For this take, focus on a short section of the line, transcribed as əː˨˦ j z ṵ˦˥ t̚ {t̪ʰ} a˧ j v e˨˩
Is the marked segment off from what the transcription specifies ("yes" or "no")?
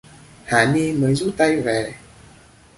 yes